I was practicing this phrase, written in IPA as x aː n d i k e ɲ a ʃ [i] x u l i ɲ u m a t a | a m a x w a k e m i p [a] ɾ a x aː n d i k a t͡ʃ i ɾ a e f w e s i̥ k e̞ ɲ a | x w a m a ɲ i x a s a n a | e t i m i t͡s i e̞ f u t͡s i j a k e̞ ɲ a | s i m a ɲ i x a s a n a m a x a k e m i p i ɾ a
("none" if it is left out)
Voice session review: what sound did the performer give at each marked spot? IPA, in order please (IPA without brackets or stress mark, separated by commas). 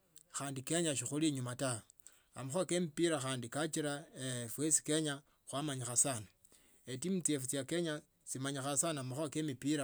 i, i